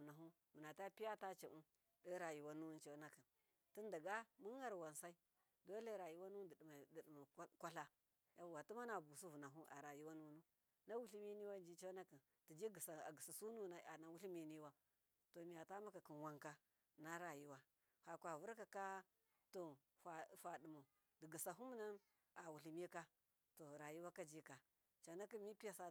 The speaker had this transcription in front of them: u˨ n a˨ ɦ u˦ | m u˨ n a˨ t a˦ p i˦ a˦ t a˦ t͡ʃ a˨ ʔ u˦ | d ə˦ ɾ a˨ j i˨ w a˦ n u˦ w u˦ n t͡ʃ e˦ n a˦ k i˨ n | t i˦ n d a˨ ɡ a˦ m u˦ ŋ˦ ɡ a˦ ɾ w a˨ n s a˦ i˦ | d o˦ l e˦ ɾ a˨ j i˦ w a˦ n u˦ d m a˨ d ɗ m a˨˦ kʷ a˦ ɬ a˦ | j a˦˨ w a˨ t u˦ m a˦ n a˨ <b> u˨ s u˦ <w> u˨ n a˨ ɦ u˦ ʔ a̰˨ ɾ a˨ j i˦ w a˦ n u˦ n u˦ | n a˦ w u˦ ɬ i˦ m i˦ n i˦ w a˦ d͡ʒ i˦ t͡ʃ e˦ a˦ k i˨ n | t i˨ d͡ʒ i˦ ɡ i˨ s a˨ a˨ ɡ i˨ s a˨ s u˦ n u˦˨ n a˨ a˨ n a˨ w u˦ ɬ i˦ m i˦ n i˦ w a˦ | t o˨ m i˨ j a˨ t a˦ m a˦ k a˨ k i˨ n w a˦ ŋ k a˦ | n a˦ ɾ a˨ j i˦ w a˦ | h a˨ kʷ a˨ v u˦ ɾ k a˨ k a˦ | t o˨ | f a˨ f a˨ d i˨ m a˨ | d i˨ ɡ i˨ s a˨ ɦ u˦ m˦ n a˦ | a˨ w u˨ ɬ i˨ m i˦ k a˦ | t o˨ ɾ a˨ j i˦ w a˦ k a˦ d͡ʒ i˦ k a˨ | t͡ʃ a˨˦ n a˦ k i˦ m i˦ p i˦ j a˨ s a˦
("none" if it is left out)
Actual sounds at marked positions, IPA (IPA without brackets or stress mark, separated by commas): b, v